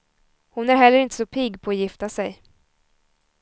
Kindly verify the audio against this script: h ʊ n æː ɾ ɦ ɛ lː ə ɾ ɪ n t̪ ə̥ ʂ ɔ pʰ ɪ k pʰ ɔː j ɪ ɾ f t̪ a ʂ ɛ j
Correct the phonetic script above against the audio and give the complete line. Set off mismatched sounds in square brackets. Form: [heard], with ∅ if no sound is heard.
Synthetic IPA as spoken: h ʊ n [æ] ɾ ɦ ɛ lː ə ɾ ɪ n t̪ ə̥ [s] ɔ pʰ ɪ [ɡ] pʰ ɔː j ɪ [∅] f t̪ a [s] ɛ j